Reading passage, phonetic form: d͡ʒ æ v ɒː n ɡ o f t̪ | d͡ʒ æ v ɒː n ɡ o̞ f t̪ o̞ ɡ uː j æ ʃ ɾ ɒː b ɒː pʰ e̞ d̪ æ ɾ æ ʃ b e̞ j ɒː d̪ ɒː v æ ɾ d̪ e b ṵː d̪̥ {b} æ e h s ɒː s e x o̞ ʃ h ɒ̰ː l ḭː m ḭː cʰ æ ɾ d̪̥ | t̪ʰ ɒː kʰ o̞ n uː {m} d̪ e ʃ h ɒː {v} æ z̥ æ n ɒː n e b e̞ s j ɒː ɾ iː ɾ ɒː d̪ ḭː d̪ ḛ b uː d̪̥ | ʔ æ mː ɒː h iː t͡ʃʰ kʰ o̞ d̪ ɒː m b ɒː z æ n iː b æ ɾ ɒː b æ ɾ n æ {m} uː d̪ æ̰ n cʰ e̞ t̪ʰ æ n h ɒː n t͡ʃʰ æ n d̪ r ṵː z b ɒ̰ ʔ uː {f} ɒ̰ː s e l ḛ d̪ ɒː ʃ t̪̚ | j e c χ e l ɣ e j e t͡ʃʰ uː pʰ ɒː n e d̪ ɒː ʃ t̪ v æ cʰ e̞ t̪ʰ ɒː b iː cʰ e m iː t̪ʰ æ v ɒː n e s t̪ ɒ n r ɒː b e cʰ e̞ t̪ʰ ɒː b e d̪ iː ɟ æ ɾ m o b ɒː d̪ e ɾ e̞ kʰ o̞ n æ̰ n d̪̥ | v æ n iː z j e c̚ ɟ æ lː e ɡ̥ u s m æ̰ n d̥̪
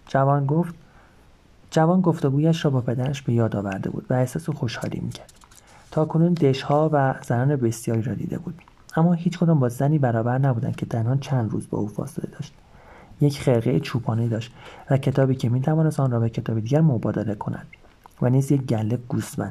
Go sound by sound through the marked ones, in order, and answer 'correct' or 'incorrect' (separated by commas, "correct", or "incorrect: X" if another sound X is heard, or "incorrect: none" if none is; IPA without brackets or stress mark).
incorrect: v, incorrect: n, correct, incorrect: b, correct